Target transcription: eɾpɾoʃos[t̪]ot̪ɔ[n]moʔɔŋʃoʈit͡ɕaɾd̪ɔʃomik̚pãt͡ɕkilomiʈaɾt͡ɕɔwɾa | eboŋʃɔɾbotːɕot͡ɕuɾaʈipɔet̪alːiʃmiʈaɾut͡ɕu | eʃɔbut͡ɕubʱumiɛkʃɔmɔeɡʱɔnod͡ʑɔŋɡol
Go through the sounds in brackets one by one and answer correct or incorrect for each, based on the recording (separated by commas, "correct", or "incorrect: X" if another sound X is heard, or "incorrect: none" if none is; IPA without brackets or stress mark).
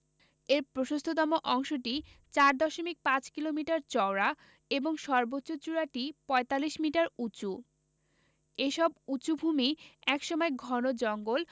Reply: incorrect: t̪ʰ, incorrect: none